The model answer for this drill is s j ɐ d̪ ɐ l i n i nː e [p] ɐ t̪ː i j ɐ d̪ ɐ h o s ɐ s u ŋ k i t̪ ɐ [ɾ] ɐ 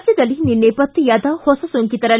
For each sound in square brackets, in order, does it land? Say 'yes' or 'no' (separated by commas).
yes, yes